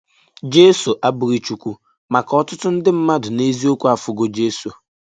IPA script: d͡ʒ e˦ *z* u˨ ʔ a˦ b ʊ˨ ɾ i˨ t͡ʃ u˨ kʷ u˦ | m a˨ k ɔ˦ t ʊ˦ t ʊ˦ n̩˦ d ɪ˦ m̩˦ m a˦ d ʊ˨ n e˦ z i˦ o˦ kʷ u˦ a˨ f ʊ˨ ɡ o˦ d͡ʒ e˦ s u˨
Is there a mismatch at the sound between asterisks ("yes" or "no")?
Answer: yes